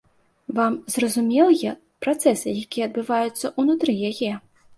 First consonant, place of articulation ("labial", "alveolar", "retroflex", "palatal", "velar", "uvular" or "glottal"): labial